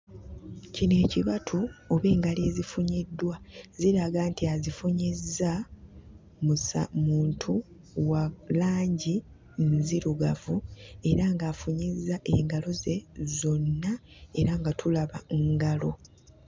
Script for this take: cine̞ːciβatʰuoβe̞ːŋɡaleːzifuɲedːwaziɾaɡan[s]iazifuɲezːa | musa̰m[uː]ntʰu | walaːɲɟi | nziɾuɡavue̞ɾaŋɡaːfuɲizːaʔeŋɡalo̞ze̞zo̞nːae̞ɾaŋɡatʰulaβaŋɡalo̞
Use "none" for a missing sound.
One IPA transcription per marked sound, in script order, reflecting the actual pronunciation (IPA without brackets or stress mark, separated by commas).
t, uː